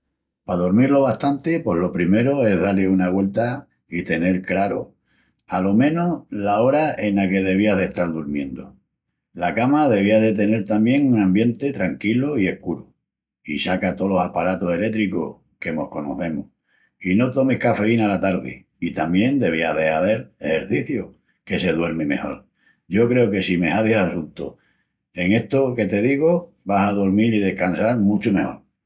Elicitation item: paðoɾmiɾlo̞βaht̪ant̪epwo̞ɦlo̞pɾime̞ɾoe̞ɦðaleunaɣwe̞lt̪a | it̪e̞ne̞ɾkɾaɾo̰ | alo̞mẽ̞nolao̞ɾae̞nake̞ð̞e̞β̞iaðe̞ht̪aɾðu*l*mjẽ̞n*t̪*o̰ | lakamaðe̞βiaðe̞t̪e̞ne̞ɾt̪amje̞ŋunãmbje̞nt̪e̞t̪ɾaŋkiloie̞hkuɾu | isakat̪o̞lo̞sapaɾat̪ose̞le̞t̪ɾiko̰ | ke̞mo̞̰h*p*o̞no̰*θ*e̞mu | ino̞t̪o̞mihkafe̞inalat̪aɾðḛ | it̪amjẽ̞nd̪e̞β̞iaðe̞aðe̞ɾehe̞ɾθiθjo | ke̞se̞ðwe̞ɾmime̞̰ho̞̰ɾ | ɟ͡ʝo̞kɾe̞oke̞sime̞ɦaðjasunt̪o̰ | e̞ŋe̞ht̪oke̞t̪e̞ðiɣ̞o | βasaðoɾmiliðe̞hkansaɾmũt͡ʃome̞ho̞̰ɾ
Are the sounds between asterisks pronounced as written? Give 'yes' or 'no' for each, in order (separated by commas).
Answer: no, no, no, yes